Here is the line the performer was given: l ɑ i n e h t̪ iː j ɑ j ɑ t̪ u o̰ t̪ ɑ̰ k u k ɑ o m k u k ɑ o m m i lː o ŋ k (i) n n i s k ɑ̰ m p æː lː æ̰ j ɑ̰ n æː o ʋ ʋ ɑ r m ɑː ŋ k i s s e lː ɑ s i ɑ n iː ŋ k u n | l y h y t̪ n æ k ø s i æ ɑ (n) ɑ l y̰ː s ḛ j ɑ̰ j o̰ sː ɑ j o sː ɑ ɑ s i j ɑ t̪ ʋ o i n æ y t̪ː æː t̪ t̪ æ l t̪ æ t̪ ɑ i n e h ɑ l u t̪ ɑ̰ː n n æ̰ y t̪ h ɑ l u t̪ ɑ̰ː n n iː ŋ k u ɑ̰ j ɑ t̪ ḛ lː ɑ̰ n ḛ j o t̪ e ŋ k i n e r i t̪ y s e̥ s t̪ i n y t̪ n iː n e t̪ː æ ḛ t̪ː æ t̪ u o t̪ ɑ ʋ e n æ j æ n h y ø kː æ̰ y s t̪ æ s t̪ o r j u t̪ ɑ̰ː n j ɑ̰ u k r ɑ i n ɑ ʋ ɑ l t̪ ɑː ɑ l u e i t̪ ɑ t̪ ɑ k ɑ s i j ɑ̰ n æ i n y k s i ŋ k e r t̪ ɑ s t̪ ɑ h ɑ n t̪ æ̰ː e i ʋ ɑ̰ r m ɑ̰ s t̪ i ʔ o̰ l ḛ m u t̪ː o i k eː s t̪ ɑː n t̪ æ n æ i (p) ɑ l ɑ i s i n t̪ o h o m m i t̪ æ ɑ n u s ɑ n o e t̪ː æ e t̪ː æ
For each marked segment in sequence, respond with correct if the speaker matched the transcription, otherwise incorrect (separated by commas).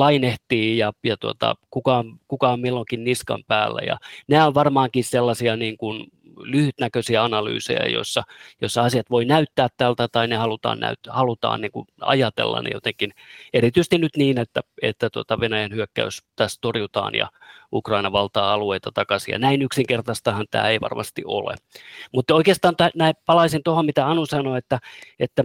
correct, correct, correct